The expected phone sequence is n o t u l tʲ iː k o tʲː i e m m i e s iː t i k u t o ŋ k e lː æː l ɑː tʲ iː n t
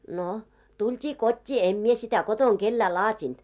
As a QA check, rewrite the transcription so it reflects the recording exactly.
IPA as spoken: n o t u l tʲ iː k o tʲː iː e m m i e s i t æ k o t o ŋ k e lː æː l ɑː tʲ i n t